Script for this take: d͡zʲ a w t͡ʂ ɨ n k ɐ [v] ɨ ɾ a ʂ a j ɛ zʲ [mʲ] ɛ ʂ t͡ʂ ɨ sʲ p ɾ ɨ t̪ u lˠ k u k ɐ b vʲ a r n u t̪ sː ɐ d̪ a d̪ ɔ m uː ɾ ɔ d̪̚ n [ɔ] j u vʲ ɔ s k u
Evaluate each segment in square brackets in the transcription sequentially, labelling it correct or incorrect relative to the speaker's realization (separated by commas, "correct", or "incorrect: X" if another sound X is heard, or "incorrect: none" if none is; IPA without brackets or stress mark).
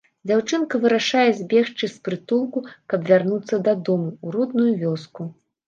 correct, incorrect: bʲ, incorrect: u